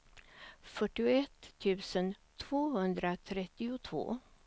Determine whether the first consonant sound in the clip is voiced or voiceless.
voiceless